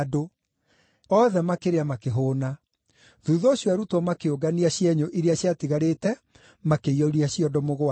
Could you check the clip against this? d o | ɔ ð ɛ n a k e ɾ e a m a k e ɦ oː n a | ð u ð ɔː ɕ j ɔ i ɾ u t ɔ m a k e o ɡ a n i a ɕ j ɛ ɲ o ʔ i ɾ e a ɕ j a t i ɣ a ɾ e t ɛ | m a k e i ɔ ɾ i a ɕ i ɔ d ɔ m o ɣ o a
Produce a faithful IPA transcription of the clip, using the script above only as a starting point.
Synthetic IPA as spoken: d o | ɔ ð ɛ m a k e ɾ e a m a k e ɦ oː n a | ð u ð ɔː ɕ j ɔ a ɾ u t ɔ m a k e o ɡ a n i a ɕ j ɛ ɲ o ʔ i ɾ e a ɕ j a t i ɣ a ɾ e t ɛ | m a k e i ɔ ɾ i a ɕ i ɔ d ɔ m o ɣ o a

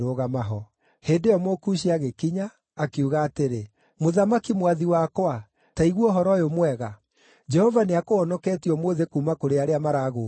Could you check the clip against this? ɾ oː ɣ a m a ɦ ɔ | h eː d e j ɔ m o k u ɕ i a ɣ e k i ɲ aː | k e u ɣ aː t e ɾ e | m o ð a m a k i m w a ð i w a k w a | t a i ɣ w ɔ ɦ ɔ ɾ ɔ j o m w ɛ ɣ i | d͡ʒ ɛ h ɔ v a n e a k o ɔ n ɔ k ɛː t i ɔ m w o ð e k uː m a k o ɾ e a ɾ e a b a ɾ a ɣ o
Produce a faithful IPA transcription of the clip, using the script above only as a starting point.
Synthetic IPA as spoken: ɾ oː ɣ a m a ɦ ɔ | h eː d e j ɔ m o k u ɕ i a ɣ e k i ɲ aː | k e u ɣ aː t e ɾ e | m o ð a m a k i m w a ð i w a k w a | t a i ɣ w ɔ ɦ ɔ ɾ ɔ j o m w ɛ ɣ a | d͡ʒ ɛ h ɔ v a n e a k o ɔ n ɔ k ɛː t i ɔ m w o ð e k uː m a k o ɾ e a ɾ e a m a ɾ a ɣ o

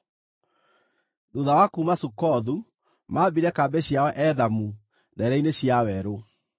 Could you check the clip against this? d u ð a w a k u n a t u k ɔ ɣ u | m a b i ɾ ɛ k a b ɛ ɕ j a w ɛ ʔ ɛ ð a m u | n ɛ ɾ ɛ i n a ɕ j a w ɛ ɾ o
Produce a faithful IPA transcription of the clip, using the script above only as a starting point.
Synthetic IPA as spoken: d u ð a w a k u m a s u k ɔ ð u | m a b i ɾ ɛ k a b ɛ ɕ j a w ɛ ʔ ɛ ð a m u | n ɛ ɾ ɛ i n e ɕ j a w ɛ ɾ o

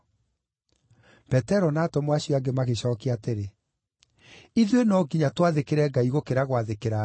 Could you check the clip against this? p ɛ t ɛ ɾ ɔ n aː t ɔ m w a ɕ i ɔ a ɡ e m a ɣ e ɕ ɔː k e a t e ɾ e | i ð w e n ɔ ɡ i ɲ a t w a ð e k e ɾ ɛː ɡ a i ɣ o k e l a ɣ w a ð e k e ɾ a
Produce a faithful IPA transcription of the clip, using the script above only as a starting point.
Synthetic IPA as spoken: p ɛ t ɛ ɾ ɔ n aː t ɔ m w a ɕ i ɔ a ɡ e m a ɣ e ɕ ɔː k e a t e ɾ e | i ð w e n ɔ ɡ i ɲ a t w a ð e k e ɾ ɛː ɡ a i ɣ o k e ɾ a ɣ w a ð e k e ɾ a

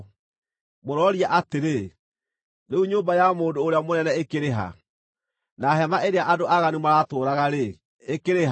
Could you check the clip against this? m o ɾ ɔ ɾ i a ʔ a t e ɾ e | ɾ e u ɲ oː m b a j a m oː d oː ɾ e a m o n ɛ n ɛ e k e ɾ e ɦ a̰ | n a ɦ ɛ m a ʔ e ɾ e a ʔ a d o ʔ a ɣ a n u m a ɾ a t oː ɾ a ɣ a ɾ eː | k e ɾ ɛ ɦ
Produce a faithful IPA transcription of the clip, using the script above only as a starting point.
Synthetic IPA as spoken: m o ɾ ɔ ɾ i a ʔ a t e ɾ e | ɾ e u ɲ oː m b a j a m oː d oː ɾ e a m o n ɛ n ɛ e k e ɾ e ɦ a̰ | n a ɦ ɛ m a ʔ e ɾ e a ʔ a d o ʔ a ɣ a n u m a ɾ a t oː ɾ a ɣ a ɾ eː | k e ɾ e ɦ

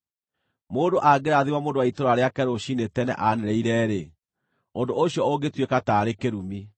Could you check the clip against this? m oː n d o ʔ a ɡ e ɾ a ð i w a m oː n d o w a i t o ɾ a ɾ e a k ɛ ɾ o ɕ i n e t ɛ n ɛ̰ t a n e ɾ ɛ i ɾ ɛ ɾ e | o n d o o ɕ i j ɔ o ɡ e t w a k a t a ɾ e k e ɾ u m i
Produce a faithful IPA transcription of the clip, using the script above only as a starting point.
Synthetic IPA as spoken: m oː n d o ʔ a ɡ e ɾ a ð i w a m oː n d o w a i t o ɾ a ɾ e a k ɛ ɾ o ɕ i n e t ɛ n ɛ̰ ʔ a n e ɾ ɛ i ɾ ɛ ɾ e | o n d o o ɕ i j ɔ o ɡ e t w e k a t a ɾ e k e ɾ u m i

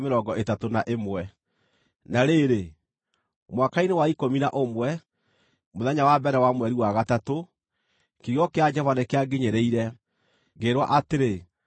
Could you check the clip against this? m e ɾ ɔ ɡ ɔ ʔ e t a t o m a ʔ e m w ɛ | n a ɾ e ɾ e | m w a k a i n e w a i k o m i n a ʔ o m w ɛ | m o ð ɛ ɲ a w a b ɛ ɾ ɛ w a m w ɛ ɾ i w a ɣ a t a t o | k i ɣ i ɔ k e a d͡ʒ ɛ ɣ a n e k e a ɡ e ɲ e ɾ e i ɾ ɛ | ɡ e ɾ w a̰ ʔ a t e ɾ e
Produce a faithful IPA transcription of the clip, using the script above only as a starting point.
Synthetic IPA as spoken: m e ɾ ɔ ɡ ɔ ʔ e t a t o n a ʔ e m w ɛ | n a ɾ e ɾ e | m w a k a i n e w a i k o m i n a ʔ o m w ɛ | m o ð ɛ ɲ a w a b ɛ ɾ ɛ w a m w ɛ ɾ i w a ɣ a t a t o | k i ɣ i ɔ k e a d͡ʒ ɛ v a n e k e a ɡ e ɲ e ɾ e i ɾ ɛ | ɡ e ɾ w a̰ ʔ a t e ɾ e

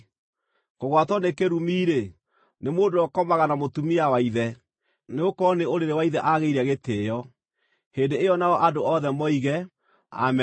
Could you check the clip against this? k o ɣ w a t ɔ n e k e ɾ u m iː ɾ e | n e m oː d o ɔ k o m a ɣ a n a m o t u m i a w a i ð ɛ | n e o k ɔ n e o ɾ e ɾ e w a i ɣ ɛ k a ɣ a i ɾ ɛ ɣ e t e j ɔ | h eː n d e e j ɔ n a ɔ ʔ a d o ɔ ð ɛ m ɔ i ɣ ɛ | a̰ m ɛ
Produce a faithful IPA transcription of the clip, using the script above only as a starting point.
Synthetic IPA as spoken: k o ɣ w a t ɔ n e k e ɾ u m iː ɾ e | n e m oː d o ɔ k ɔ m a ɣ a n a m o t u m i a w a i ð ɛ | n e o k ɔ n e o ɾ e ɾ e w a i ð ɛ ʔ a ɣ e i ɾ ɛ ɣ e t e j ɔ | h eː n d e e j ɔ n a ɔ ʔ a d o ɔ ð ɛ m ɔ i ɣ ɛ | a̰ m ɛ

